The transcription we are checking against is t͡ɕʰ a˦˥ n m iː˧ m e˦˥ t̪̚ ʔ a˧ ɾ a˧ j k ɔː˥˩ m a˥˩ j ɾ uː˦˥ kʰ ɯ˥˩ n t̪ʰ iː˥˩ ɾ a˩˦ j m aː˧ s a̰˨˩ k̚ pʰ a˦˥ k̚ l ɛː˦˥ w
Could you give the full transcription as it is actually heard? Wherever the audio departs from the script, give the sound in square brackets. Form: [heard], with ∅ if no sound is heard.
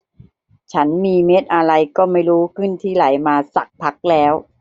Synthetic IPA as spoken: t͡ɕʰ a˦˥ n m iː˧ m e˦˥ t̪̚ ʔ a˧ ɾ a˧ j k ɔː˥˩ m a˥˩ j ɾ uː˦˥ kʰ ɯ˥˩ n t̪ʰ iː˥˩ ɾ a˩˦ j m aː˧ s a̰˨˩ k̚ pʰ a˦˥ k̚ l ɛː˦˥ w